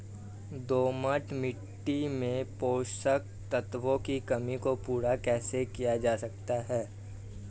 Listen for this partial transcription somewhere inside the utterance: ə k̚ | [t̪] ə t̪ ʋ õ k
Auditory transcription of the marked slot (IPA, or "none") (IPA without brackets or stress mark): t̪